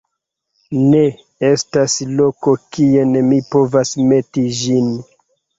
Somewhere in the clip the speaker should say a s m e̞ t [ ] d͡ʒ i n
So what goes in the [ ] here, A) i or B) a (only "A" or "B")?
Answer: A